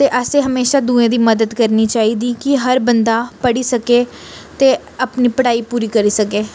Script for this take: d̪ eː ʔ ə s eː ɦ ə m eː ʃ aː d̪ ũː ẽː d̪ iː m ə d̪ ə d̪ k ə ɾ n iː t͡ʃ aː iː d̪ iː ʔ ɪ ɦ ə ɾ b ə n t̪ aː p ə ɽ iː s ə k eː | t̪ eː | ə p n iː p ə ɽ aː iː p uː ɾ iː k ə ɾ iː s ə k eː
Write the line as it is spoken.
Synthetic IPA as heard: t̪ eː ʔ ə s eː ɦ ə m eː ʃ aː d̪ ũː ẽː d̪ iː m ə d̪ ə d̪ k ə ɾ n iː t͡ʃ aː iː d̪ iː k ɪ ɦ ə ɾ b ə n d̪ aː p ə ɽ iː s ə k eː | t̪ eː | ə p n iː p ə ɽ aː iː p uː ɾ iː k ə ɾ iː s ə k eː